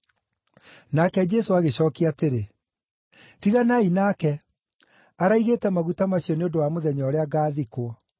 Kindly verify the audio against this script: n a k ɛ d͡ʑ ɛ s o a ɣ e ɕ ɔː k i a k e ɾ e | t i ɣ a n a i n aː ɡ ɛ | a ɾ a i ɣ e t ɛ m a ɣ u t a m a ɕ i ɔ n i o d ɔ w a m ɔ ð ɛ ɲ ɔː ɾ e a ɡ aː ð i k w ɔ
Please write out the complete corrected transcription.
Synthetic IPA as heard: n a k ɛ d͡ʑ ɛ s o a ɣ e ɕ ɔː k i a t e ɾ e | t i ɣ a n a i n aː k ɛ | a ɾ a i ɣ e t ɛ m a ɣ u t a m a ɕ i ɔ n e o d o w a m o ð ɛ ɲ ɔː ɾ e a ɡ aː ð i k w ɔ